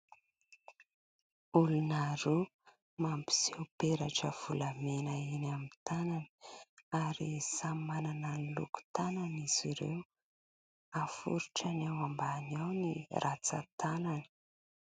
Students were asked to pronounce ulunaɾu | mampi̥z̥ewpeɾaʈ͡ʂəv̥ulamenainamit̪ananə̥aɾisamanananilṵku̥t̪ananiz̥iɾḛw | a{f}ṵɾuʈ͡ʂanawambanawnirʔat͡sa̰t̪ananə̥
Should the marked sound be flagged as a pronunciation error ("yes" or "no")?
no